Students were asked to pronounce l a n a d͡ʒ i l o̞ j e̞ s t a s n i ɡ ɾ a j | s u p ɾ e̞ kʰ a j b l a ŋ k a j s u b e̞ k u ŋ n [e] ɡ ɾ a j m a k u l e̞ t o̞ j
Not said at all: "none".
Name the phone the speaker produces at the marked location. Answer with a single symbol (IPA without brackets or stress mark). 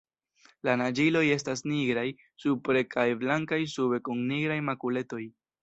i